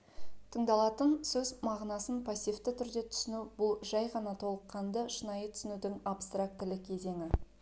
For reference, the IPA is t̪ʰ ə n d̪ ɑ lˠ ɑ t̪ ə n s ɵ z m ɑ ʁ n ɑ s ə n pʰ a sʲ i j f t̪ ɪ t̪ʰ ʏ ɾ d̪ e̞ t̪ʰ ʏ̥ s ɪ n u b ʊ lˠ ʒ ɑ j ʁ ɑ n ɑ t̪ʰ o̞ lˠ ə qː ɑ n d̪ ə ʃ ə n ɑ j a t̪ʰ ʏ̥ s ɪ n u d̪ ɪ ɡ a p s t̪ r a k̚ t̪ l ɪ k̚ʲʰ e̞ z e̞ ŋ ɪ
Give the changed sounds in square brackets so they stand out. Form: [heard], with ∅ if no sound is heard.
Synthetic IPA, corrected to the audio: t̪ʰ ə [ɴ] d̪ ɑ lˠ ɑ t̪ ə n s ɵ z m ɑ ʁ n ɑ s ə n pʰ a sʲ i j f t̪ ɪ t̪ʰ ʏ ɾ d̪ e̞ t̪ʰ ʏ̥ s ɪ n u b ʊ lˠ ʒ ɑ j ʁ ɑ n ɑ t̪ʰ o̞ lˠ ə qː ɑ n d̪ ə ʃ ə n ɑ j [ə] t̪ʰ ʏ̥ s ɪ n u d̪ ɪ [ŋ] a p s t̪ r a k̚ t̪ l ɪ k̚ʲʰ e̞ z e̞ ŋ ɪ

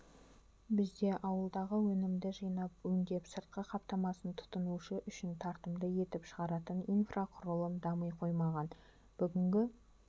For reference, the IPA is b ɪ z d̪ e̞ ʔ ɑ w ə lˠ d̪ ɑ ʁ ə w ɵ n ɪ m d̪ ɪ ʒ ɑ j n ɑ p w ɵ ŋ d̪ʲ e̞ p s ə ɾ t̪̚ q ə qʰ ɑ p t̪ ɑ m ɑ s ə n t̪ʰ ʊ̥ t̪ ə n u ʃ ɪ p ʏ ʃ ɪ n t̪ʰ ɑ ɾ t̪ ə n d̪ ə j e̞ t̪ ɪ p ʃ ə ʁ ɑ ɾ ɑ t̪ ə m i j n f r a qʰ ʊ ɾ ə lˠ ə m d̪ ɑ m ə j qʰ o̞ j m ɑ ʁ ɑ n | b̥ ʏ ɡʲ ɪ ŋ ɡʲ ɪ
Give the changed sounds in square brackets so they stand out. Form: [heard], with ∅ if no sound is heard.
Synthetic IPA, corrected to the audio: b ɪ z d̪ e̞ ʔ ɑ w ə lˠ d̪ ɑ ʁ ə w ɵ n ɪ m d̪ ɪ ʒ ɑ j n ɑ p w ɵ ŋ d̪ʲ e̞ p s ə ɾ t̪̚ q ə qʰ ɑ p t̪ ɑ m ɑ s ə n t̪ʰ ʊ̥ t̪ ə n u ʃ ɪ [ʔ] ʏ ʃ ɪ n t̪ʰ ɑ ɾ t̪ ə [m] d̪ ə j e̞ t̪ ɪ p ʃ ə ʁ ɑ ɾ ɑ t̪ ə [n] i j n f r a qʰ ʊ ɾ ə lˠ ə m d̪ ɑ m ə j qʰ o̞ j m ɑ ʁ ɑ n | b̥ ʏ ɡʲ ɪ ŋ ɡʲ ɪ

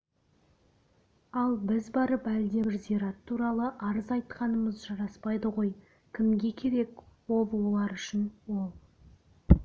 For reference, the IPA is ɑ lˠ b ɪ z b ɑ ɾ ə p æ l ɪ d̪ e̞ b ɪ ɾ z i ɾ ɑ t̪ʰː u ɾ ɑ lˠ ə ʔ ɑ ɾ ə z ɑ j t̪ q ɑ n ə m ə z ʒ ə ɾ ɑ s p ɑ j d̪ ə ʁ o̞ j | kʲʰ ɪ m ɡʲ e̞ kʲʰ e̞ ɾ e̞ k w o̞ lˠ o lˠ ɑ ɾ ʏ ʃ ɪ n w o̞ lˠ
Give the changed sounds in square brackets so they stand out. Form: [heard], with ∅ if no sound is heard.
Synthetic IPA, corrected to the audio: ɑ lˠ b ɪ z b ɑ ɾ ə p æ l ɪ d̪ e̞ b ɪ ɾ z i ɾ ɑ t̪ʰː u ɾ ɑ lˠ ə ʔ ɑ ɾ ə z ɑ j t̪ q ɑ n ə m ə z ʒ [ɑ] ɾ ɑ s p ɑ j d̪ ə ʁ o̞ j | kʲʰ ɪ m ɡʲ e̞ kʲʰ e̞ ɾ e̞ k w o̞ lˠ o lˠ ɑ ɾ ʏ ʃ ɪ n w o̞ lˠ

